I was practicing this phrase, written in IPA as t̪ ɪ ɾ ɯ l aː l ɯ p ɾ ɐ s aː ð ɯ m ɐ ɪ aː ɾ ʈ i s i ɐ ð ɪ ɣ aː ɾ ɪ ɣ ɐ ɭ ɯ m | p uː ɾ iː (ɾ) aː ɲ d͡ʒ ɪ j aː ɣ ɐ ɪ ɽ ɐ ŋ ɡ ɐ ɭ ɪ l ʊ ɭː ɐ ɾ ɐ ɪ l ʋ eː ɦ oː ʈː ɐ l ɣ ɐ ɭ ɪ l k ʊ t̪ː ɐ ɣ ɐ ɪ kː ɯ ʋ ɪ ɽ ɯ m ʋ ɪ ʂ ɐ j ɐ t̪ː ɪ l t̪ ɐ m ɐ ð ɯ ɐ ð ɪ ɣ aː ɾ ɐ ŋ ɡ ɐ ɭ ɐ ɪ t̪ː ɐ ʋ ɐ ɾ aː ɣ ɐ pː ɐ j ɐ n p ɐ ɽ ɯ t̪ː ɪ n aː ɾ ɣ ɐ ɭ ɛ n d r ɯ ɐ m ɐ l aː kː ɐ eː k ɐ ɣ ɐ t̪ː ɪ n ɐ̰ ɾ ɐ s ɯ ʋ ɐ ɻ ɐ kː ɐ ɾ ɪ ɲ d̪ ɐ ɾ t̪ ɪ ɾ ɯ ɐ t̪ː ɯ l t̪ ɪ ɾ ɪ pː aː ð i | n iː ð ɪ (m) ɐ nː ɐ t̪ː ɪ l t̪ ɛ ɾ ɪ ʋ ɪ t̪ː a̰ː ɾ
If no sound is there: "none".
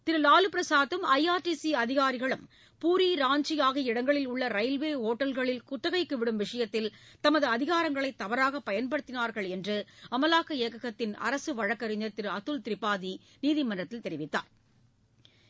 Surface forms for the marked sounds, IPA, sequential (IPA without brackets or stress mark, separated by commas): ɾ, m